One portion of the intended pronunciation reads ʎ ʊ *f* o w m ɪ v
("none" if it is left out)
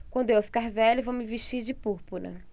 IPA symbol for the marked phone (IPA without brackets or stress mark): v